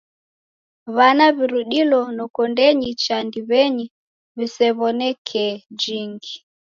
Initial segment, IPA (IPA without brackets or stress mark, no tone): β